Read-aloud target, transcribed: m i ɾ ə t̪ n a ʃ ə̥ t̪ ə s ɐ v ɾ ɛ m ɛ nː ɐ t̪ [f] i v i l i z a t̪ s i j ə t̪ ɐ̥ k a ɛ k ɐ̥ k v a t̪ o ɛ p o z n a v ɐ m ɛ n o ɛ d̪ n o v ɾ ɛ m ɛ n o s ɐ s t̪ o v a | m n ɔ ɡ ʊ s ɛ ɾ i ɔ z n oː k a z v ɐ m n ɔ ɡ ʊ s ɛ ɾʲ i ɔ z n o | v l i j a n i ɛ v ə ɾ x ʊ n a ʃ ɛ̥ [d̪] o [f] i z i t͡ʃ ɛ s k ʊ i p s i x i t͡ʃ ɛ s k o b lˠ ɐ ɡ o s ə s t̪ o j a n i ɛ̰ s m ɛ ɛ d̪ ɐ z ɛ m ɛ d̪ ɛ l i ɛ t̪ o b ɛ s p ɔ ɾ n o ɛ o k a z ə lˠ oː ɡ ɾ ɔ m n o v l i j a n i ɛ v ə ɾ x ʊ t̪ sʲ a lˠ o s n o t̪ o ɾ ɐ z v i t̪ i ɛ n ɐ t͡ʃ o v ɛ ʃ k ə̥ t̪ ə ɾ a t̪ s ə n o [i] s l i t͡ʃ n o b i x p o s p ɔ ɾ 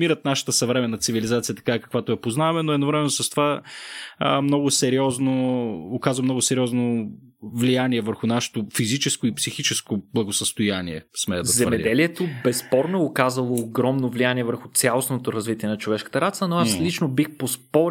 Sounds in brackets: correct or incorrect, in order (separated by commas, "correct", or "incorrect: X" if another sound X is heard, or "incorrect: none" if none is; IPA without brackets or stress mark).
incorrect: s, incorrect: t̪, correct, incorrect: a